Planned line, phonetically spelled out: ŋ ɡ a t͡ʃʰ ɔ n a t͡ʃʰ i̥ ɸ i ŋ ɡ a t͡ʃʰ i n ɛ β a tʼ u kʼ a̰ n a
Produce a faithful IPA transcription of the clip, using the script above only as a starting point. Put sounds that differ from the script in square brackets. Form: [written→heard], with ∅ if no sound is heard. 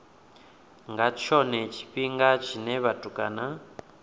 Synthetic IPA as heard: ŋ ɡ a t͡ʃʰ ɔ n [a→ɛ] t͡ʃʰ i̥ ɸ i ŋ ɡ a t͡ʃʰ i n ɛ β a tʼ u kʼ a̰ n a

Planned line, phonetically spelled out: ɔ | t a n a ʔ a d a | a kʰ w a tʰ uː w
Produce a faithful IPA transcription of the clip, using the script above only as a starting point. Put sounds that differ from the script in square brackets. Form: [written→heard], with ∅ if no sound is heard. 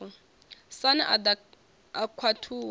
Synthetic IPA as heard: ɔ | [t→s] a n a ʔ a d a | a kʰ w a tʰ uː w

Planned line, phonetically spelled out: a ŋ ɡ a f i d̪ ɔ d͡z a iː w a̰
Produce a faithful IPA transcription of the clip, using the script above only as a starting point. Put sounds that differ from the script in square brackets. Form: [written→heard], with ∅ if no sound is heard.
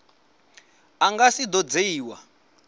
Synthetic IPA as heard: a ŋ ɡ a [f→s] i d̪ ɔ d͡z [a→e] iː w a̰

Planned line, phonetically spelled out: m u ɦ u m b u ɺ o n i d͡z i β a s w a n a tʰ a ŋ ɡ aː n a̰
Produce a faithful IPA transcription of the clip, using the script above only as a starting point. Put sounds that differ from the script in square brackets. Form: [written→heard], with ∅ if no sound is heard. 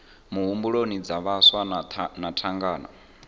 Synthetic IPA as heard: m u ɦ u m b u ɺ o n i d͡z [i→a] β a s w a n a tʰ a ŋ ɡ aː n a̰

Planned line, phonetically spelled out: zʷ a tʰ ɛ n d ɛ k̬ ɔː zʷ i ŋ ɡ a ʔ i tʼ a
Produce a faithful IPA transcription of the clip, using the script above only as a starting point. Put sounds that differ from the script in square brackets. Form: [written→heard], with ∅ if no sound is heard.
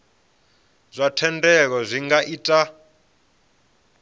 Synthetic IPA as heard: zʷ a tʰ ɛ n d ɛ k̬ [ɔː→ɔ] zʷ i ŋ ɡ a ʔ i tʼ a

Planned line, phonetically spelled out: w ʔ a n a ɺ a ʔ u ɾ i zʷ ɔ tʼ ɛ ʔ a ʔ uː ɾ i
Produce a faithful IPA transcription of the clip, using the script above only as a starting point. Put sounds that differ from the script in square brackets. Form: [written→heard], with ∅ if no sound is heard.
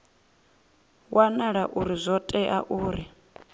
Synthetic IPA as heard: w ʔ a n a ɺ a ʔ u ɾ i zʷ ɔ tʼ ɛ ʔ a ʔ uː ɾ i

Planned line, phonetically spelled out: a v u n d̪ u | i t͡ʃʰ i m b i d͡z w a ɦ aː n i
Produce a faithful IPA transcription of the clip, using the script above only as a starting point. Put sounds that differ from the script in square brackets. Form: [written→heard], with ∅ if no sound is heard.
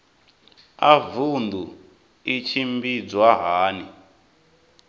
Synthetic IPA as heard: a v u n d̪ u | i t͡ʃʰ i m b i d͡z w a ɦ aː n i

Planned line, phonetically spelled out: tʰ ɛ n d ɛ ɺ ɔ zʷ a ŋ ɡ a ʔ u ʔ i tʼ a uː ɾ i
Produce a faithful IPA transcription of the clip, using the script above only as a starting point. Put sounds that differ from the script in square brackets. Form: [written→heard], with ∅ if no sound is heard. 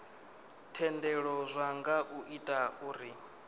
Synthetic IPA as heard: tʰ ɛ n d ɛ ɺ ɔ zʷ a ŋ ɡ a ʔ u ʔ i tʼ a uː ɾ i

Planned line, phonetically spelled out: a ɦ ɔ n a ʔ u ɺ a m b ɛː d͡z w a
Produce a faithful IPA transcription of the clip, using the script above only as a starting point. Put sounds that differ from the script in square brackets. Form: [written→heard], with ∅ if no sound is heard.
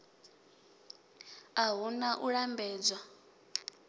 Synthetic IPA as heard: a ɦ [ɔ→u] n a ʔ u ɺ a m b ɛː d͡z w a

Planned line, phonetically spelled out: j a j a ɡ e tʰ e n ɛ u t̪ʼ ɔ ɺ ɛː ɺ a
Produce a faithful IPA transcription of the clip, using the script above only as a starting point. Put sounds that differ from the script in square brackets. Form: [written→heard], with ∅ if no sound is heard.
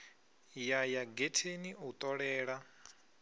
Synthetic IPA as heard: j a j a ɡ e tʰ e n [ɛ→i] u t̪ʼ ɔ ɺ ɛː ɺ a

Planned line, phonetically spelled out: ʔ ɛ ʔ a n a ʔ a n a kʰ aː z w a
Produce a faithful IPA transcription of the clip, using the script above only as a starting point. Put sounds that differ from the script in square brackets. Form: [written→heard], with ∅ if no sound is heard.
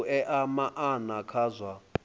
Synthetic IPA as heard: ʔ ɛ ʔ a [n→m] a ʔ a n a kʰ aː z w a

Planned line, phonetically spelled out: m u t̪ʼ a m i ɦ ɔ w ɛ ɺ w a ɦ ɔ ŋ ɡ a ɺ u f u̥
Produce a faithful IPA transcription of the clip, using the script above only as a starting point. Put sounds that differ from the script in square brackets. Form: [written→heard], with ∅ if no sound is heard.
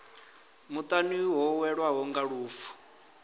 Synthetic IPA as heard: m u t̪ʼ a [m→n] i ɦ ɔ w ɛ ɺ w a ɦ ɔ ŋ ɡ a ɺ [u→uː] f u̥

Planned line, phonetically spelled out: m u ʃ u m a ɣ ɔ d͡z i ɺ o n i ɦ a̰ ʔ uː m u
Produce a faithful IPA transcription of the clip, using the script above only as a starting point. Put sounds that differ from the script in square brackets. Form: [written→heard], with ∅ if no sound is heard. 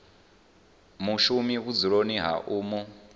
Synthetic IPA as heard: m u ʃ u m [a→i] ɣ [ɔ→u] d͡z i ɺ o n i ɦ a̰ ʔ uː m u

